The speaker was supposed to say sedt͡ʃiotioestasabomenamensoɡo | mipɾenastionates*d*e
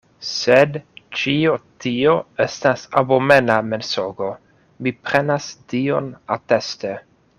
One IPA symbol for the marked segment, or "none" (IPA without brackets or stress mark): t